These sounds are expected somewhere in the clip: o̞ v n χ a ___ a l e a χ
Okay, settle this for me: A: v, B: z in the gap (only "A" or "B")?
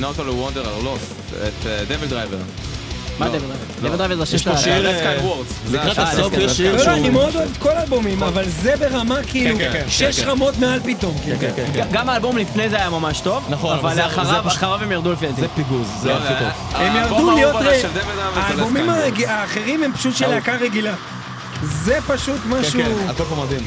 A